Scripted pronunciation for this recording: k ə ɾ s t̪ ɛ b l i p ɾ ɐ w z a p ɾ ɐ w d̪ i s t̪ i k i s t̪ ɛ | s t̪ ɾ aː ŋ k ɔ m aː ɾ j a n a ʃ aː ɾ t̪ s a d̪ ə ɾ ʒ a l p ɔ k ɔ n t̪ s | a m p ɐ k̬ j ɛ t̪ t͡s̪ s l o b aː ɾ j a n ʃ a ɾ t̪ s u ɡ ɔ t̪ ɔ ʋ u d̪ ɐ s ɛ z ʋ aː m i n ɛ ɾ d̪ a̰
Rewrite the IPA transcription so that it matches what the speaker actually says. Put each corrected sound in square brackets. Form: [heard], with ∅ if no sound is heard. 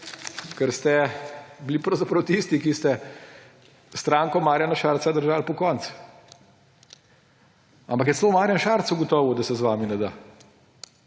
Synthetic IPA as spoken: k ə ɾ s t̪ ɛ b l i p ɾ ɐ w z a p ɾ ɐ w [t̪] i s t̪ i k i s t̪ ɛ | s t̪ ɾ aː ŋ k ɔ m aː ɾ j a n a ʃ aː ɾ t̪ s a d̪ ə ɾ ʒ a l p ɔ k ɔ n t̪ s | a m p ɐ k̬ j ɛ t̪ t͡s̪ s l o [m] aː ɾ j a n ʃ a ɾ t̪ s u ɡ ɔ t̪ ɔ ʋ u d̪ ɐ s ɛ z ʋ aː m i n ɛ [∅] d̪ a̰